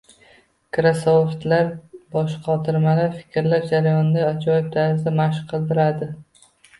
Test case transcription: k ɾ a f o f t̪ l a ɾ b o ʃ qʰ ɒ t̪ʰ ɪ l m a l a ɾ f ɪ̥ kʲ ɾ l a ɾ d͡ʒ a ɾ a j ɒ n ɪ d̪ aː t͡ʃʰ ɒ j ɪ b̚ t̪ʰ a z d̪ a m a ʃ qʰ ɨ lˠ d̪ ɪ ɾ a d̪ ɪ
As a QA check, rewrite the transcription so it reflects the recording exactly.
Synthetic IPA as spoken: k ɾ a s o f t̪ l a ɾ b ɒ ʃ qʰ ɒ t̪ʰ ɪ ɾ m a l a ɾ f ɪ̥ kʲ ɾ l a ɾ d͡ʒ a ɾ a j ɒ n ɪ d̪ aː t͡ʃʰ ɒ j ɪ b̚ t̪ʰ a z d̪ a m a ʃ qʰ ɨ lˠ d̪ ɪ ɾ a d̪ ɪ